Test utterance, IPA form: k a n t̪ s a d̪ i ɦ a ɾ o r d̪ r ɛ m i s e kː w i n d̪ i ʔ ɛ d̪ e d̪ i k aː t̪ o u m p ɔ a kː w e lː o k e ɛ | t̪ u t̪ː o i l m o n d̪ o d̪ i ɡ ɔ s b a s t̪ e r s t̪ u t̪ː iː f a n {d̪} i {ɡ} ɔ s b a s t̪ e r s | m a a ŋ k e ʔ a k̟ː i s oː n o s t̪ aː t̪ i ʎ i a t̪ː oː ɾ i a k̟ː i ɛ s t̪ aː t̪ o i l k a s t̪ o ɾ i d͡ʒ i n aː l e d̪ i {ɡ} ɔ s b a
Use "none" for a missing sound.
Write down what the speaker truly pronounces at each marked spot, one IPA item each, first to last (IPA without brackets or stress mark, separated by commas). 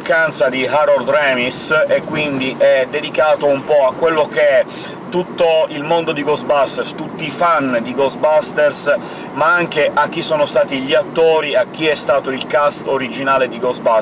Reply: d̪, ɡ, ɡ